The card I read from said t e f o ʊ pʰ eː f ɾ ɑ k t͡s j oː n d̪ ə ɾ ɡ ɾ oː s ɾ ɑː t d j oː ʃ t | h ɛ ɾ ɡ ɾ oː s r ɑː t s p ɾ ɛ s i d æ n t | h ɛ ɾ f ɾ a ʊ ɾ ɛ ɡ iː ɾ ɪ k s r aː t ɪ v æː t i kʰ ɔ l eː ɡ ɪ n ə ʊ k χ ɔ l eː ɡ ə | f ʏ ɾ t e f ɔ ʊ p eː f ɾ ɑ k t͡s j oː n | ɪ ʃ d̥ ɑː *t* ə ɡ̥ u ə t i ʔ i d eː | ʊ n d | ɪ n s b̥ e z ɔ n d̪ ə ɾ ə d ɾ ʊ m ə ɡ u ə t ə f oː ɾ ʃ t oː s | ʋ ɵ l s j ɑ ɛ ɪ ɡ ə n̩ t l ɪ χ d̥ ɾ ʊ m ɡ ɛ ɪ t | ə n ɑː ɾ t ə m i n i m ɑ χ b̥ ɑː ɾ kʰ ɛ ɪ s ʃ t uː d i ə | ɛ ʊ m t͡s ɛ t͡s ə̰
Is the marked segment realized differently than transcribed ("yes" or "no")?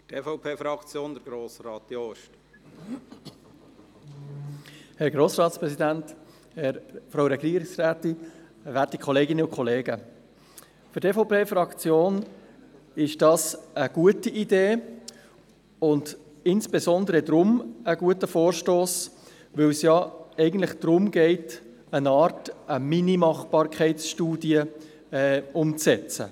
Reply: yes